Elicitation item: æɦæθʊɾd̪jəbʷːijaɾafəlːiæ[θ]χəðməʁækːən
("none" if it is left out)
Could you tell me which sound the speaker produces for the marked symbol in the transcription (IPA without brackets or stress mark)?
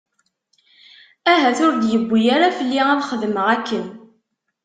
ð